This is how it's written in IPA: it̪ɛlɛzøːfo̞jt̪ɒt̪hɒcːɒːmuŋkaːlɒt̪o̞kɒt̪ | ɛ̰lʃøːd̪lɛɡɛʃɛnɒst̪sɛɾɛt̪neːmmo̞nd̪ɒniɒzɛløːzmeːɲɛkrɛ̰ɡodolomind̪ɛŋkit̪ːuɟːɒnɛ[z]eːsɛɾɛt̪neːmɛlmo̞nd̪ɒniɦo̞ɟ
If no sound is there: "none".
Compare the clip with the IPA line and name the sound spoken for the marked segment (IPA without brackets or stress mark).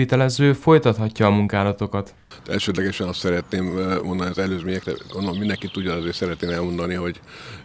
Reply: z